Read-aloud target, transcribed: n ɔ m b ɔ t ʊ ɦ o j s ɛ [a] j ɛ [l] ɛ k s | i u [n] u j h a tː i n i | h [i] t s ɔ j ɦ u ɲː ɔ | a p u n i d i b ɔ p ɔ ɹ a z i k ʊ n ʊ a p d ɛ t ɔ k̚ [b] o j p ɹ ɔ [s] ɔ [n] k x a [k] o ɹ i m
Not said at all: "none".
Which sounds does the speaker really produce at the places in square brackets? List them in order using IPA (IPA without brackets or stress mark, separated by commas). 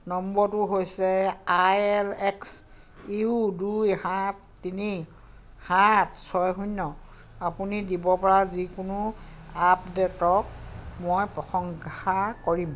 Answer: a, l, d, a, m, x, ŋ, k